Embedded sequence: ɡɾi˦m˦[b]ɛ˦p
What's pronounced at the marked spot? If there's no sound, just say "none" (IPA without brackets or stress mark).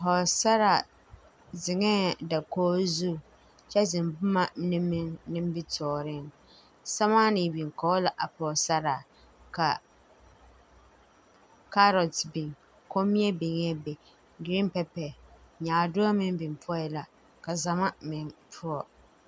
p